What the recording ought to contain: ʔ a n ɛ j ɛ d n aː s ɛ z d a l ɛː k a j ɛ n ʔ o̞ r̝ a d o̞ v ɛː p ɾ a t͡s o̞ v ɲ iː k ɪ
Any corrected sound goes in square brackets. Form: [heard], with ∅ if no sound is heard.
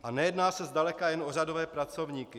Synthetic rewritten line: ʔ a n ɛ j ɛ d n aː s ɛ z d a l [ɛ] k a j ɛ n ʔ o̞ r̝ a d o̞ v ɛː p ɾ a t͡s o̞ v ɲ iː k ɪ